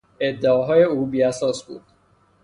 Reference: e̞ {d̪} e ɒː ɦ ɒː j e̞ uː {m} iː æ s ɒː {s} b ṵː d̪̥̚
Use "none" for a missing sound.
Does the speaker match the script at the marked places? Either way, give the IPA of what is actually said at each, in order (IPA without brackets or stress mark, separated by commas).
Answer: d̪ː, b, s